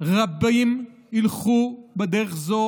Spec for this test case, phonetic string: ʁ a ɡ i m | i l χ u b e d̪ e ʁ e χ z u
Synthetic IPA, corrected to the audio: ʁ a b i m | i l χ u b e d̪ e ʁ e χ z o